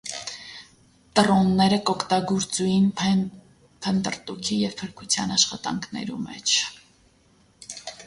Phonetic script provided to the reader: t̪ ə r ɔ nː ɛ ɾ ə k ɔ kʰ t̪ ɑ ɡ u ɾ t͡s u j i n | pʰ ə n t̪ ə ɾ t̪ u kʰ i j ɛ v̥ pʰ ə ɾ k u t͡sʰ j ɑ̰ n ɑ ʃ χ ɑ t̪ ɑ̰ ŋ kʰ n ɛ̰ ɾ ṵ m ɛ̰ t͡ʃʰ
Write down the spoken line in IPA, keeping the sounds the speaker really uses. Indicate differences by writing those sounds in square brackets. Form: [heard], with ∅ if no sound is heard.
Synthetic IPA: t̪ ə r ɔ nː ɛ ɾ ə k ɔ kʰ t̪ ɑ ɡ u ɾ t͡s u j i n | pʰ ə n t̪ ə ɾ t̪ u kʰ i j ɛ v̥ pʰ ə ɾ [kʰ] u t͡sʰ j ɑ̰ n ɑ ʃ χ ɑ t̪ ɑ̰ ŋ kʰ n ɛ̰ ɾ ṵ m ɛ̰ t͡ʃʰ

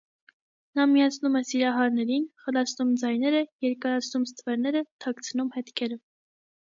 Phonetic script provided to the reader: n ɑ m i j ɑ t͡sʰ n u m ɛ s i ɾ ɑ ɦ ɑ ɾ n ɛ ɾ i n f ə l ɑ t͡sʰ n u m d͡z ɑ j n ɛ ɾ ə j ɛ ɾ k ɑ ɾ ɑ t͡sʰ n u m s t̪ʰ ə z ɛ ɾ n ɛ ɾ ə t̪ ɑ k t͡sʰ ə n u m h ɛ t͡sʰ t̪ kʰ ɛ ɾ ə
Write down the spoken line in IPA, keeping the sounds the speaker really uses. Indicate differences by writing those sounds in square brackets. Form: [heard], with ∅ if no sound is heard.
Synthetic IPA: n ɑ m i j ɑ t͡sʰ n u m ɛ s i ɾ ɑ ɦ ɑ ɾ n ɛ ɾ i n [χ] ə l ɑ t͡sʰ n u m d͡z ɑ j n ɛ ɾ ə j ɛ ɾ k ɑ ɾ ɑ t͡sʰ n u m s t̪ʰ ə [v] ɛ ɾ n ɛ ɾ ə [t̪ʰ] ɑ k t͡sʰ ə n u m h ɛ [∅] t̪ kʰ ɛ ɾ ə

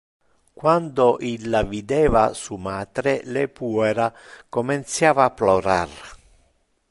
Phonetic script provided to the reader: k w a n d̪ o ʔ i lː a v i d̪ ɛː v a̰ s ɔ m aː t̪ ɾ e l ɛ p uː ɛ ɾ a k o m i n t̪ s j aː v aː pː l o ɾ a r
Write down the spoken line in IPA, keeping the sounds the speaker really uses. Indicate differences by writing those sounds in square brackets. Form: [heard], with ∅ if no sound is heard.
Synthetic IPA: k w a n d̪ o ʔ i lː a v i d̪ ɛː v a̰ s [u] m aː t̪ ɾ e l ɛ p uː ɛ ɾ a k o m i n t̪ s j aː v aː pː l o ɾ a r

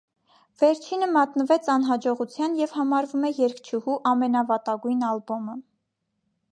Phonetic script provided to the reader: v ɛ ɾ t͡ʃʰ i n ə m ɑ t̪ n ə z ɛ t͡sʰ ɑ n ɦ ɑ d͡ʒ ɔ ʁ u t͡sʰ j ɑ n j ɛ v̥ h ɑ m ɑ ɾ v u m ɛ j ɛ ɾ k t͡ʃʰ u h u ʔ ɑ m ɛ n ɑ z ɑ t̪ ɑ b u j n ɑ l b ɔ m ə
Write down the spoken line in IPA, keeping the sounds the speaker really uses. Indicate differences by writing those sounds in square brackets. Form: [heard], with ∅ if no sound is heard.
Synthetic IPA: v ɛ ɾ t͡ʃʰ i n ə m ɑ t̪ n ə [v] ɛ t͡sʰ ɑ n ɦ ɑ d͡ʒ ɔ ʁ u t͡sʰ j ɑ n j ɛ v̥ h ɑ m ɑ ɾ v u m ɛ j ɛ ɾ k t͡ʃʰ u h u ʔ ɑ m ɛ n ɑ [v] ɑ t̪ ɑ [ɡ] u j n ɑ l b ɔ m ə

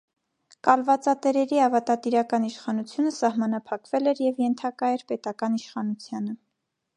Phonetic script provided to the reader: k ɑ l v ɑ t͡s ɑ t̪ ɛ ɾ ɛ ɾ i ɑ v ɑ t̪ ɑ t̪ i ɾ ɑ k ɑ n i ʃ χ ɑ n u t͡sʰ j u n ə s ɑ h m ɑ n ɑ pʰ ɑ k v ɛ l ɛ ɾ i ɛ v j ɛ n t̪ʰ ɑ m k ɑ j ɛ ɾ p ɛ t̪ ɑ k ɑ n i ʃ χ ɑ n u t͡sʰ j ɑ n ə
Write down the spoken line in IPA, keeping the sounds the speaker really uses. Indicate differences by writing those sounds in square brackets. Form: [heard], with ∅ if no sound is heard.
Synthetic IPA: k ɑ l v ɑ t͡s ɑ t̪ ɛ ɾ ɛ ɾ i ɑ v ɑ t̪ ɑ t̪ i ɾ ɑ k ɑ n i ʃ χ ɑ n u t͡sʰ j u n ə s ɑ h m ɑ n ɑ pʰ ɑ k v ɛ l ɛ ɾ [j] ɛ v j ɛ n t̪ʰ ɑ [∅] k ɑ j ɛ ɾ p ɛ t̪ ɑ k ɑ n i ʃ χ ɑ n u t͡sʰ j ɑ n ə

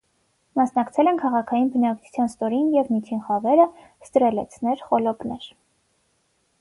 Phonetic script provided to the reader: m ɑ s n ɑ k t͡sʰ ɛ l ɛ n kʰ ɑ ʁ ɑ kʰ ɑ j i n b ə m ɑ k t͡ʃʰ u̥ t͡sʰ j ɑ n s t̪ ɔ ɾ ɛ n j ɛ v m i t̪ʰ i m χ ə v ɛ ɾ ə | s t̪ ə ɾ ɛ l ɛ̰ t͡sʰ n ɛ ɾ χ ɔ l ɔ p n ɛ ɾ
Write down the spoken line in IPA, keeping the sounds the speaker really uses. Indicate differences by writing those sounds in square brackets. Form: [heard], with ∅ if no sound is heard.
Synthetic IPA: m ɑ s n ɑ k t͡sʰ ɛ l ɛ n kʰ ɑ ʁ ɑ kʰ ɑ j i n b ə [n] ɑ k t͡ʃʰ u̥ t͡sʰ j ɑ n s t̪ ɔ ɾ [i] n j ɛ v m i t̪ʰ i [n] χ [ɑ] v ɛ ɾ ə | s t̪ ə ɾ ɛ l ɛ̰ t͡sʰ n ɛ ɾ χ ɔ l ɔ p n ɛ ɾ

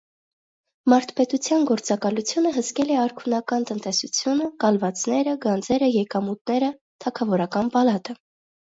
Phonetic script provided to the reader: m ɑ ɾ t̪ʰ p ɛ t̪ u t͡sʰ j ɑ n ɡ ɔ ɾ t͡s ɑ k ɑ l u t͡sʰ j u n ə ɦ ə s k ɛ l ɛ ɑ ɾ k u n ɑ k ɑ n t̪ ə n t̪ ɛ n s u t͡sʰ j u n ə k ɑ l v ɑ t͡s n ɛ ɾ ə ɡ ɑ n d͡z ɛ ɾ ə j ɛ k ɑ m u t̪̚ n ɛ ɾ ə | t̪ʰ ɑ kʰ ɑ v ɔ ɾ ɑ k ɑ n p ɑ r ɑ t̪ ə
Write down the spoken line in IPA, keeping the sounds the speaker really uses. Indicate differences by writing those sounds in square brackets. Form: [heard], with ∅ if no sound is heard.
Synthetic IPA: m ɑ ɾ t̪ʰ p ɛ t̪ u t͡sʰ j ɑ n ɡ ɔ ɾ t͡s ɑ k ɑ l u t͡sʰ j u n ə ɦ ə s k ɛ l ɛ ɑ ɾ [kʰ] u n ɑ k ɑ n t̪ ə n t̪ ɛ [∅] s u t͡sʰ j u n ə k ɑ l v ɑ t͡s n ɛ ɾ ə ɡ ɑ n d͡z ɛ ɾ ə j ɛ k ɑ m u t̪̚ n ɛ ɾ ə | t̪ʰ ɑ kʰ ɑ v ɔ ɾ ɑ k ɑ n p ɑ [l] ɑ t̪ ə

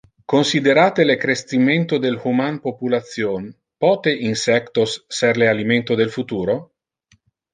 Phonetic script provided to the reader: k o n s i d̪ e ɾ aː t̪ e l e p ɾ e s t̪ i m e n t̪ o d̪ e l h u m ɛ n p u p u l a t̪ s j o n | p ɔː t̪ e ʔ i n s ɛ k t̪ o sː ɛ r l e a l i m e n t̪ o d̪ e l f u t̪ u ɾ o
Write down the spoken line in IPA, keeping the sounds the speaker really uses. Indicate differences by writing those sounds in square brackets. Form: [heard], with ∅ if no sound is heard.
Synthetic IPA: k o n s i d̪ e ɾ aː t̪ e l e [k] ɾ e s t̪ i m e n t̪ o d̪ e l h u m [a] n p [o] p u l a t̪ s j o n | p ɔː t̪ e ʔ i n s ɛ k t̪ o sː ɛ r l e a l i m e n t̪ o d̪ e l f u t̪ [uː] ɾ o

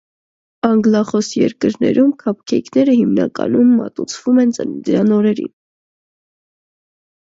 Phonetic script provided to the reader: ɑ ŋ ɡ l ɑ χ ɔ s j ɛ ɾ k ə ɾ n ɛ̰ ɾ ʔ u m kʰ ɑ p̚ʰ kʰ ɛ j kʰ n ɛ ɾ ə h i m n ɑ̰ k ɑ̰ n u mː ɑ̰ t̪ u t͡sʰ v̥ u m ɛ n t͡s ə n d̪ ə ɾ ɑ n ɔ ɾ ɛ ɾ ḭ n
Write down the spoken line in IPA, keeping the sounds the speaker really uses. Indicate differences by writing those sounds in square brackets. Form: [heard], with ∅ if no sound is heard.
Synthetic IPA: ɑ ŋ ɡ l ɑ χ ɔ s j ɛ ɾ k ə ɾ n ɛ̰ ɾ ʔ u m kʰ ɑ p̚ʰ kʰ ɛ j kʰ n ɛ ɾ ə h i m n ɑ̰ k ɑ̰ n u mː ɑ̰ t̪ u t͡sʰ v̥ u m ɛ n t͡s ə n d̪ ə ɾ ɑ n ɔ ɾ ɛ ɾ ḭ n

